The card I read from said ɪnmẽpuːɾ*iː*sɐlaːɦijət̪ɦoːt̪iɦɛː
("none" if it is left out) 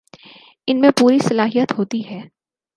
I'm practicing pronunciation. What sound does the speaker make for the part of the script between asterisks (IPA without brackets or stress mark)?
i